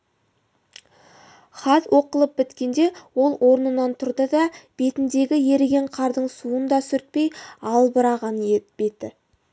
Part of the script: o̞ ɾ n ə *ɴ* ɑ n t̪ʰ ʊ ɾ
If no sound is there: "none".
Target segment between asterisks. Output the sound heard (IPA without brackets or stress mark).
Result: n